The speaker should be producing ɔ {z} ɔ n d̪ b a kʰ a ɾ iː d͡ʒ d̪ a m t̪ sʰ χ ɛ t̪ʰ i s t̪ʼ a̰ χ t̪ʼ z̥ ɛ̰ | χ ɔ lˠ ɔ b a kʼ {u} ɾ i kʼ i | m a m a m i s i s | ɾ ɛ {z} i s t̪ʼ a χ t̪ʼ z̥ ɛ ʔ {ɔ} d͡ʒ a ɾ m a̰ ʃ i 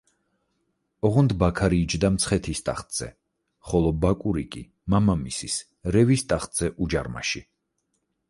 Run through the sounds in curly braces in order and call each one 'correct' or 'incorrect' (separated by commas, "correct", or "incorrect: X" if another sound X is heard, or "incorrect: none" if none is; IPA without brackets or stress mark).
incorrect: ʁ, correct, incorrect: v, incorrect: u